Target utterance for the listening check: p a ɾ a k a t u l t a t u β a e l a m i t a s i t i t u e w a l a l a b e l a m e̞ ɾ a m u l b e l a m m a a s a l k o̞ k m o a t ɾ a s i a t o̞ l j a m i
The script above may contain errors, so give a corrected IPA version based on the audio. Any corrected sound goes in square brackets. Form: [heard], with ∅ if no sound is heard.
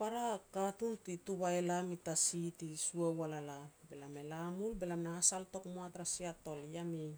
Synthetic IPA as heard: p a ɾ a k a t u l t [i] t u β a e l a m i t a s i t i [s] u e w a l a l a b e l a m e̞ [l] a m u l b e l a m [n] a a s a l [t] o̞ k m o a t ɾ a s i a t o̞ l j a m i